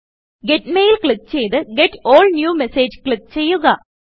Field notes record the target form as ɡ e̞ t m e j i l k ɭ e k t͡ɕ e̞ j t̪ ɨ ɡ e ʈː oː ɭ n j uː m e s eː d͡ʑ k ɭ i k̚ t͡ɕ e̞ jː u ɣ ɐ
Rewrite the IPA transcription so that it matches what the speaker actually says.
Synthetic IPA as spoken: ɡ e̞ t m e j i l k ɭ i k t͡ɕ e̞ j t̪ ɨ ɡ e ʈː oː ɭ n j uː m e s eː d͡ʑ k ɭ i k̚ t͡ɕ e̞ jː u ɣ ɐ